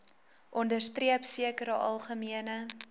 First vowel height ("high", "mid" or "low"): mid